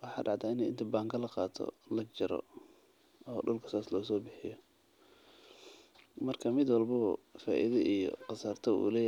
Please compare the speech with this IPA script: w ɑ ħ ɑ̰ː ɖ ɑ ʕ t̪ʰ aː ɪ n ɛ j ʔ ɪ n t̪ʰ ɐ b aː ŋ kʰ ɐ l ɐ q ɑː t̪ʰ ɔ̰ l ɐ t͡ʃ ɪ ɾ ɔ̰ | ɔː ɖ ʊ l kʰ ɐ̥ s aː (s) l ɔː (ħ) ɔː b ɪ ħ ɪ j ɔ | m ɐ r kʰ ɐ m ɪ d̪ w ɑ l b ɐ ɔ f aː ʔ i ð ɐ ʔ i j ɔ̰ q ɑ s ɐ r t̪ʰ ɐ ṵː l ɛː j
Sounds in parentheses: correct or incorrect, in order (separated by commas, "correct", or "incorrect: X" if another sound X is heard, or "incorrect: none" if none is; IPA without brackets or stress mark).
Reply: correct, incorrect: s